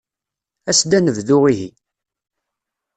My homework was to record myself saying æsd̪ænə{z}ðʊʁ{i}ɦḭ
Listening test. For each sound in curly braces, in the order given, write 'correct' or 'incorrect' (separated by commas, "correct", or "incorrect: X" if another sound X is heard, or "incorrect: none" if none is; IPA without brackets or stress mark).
incorrect: v, correct